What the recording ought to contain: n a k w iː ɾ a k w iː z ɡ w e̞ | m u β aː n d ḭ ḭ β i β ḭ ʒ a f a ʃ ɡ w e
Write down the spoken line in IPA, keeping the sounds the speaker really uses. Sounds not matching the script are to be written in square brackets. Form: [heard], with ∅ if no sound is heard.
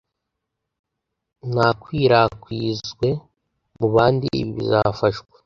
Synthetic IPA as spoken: n a k w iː ɾ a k w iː z ɡ w e̞ | m u β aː n d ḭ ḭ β i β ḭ [z] a f a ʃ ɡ w e